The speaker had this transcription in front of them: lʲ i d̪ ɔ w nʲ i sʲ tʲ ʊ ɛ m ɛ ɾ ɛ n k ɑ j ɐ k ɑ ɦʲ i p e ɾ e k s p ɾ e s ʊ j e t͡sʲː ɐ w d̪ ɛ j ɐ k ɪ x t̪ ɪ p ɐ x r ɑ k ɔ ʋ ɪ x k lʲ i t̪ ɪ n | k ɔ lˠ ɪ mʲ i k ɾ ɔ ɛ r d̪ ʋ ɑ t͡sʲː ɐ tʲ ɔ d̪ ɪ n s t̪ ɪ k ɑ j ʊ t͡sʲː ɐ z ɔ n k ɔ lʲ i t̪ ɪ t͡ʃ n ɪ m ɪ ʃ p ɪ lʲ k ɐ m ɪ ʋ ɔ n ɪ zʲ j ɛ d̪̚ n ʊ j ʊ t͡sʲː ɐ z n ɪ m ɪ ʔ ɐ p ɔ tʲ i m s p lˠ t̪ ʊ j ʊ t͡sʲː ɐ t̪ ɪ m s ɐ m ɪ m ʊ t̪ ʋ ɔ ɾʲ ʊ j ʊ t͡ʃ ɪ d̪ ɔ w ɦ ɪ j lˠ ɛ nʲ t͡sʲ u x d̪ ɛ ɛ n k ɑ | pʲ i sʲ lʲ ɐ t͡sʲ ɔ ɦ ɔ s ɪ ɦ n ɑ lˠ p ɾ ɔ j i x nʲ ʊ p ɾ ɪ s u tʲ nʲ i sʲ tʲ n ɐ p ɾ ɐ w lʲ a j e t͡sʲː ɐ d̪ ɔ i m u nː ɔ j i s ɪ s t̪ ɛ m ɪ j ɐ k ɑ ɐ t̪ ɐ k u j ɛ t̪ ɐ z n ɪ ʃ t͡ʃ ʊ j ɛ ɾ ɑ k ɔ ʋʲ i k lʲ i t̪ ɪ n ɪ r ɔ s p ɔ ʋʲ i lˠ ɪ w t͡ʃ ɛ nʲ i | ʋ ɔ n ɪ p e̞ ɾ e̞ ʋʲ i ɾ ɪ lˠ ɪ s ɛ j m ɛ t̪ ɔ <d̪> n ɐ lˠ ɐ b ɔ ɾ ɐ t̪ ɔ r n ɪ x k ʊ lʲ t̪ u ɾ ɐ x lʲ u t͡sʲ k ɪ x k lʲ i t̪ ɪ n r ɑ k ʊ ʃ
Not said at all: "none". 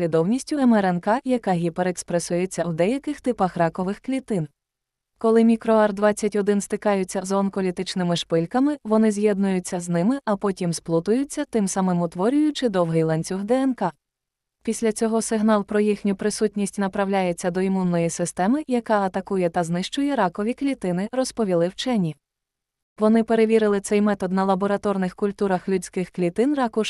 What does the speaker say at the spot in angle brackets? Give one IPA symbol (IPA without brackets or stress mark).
d̪